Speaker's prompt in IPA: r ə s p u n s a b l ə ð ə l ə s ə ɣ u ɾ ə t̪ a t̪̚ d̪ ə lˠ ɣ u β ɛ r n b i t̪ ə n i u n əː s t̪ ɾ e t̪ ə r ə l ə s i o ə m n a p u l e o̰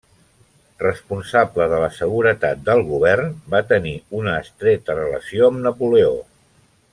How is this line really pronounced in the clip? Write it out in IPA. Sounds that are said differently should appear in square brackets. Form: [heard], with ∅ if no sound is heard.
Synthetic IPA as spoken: r ə s p u n s a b l ə ð ə l ə s ə ɣ u ɾ ə t̪ a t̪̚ d̪ ə lˠ ɣ u β ɛ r n b [a] t̪ ə n i u n əː s t̪ ɾ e t̪ ə r ə l ə s i o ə m n [ə] p u l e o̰

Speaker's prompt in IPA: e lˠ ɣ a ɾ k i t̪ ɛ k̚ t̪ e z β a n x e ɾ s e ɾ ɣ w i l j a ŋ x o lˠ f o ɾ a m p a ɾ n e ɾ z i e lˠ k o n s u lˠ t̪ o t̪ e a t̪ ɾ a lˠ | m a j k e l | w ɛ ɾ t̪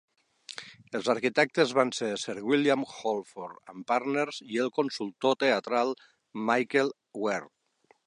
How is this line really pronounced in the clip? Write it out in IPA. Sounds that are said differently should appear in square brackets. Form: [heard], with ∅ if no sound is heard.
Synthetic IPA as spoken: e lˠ [z] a ɾ k i t̪ ɛ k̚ t̪ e z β a n [s] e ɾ s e ɾ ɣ w i l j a [m] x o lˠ f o ɾ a m p a ɾ n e ɾ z i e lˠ k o n s u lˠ t̪ o t̪ e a t̪ ɾ a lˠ | m a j k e l | w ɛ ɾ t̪

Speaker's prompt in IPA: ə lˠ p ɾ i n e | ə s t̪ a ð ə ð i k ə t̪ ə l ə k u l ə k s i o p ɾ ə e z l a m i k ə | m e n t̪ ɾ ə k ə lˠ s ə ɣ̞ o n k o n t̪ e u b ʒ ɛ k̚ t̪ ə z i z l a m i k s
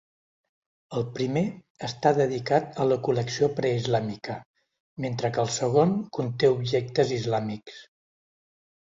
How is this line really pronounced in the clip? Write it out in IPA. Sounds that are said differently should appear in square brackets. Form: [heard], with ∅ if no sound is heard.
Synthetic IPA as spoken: ə lˠ p ɾ i [m] e | ə s t̪ a ð ə ð i k [a] t̪ ə l ə k u l ə k s i o p ɾ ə [i] z l a m i k ə | m e n t̪ ɾ ə k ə lˠ s ə ɣ̞ o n k [u] n t̪ e u b ʒ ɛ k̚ t̪ ə z i z l a m i k s

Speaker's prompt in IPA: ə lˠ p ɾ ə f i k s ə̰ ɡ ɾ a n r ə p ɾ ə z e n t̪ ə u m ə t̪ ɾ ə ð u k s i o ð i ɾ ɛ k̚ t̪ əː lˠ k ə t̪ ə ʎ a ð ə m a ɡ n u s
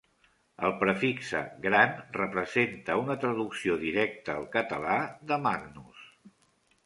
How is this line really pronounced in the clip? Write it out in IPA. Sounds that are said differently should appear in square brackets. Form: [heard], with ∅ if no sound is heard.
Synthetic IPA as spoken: ə lˠ p ɾ ə f i k s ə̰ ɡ ɾ a n r ə p ɾ ə z e n t̪ ə u [n] ə t̪ ɾ ə ð u k s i o ð i ɾ ɛ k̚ t̪ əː lˠ k ə t̪ ə [l] a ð ə m a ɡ n u s

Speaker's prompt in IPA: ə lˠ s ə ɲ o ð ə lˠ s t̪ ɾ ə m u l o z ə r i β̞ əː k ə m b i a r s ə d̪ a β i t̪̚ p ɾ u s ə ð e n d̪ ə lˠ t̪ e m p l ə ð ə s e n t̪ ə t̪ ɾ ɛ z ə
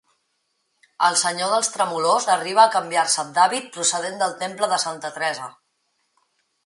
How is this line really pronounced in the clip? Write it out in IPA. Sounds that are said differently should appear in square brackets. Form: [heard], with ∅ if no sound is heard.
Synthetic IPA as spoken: ə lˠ s ə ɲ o ð ə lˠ s t̪ ɾ ə m u l o z ə r i β̞ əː k ə m b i a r s ə d̪ a β i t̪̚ p ɾ u s ə ð e n d̪ ə lˠ t̪ e m p l ə ð ə s [a] n t̪ ə t̪ ɾ ɛ z ə

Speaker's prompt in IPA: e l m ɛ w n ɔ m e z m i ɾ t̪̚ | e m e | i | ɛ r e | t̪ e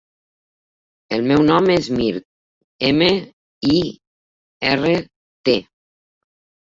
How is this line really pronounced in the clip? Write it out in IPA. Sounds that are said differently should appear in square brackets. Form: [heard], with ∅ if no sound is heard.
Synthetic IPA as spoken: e l m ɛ w n ɔ m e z m i ɾ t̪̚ | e m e | i | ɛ r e | t̪ e

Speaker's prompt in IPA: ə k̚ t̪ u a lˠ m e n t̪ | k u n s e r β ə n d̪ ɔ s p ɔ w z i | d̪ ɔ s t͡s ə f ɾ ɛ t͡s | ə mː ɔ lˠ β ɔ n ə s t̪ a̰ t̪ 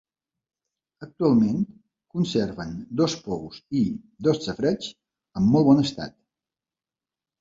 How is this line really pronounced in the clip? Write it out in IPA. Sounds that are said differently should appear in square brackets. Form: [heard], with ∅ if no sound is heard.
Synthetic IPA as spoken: ə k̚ t̪ u a lˠ m e n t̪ | k u n s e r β ə n d̪ ɔ s p ɔ w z i | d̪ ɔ s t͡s ə f ɾ ɛ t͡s | ə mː ɔ lˠ β ɔ n ə s t̪ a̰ t̪

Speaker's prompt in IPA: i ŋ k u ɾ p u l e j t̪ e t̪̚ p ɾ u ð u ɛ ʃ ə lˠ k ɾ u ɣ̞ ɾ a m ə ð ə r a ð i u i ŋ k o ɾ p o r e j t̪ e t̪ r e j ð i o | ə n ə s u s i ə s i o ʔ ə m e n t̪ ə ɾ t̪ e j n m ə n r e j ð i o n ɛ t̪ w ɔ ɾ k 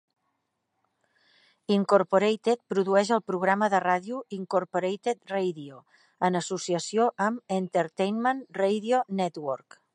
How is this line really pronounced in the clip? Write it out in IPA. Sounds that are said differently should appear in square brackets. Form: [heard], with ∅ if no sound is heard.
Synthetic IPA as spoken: i ŋ k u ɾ p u [ɾ] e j t̪ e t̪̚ p ɾ u ð u ɛ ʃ ə lˠ [p] ɾ u ɣ̞ ɾ a m ə ð ə r a ð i u i ŋ k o ɾ p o [ɾ] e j t̪ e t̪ r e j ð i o | ə n ə s u s i ə s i o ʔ ə m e n t̪ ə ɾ t̪ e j n m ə n r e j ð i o n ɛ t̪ w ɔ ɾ k

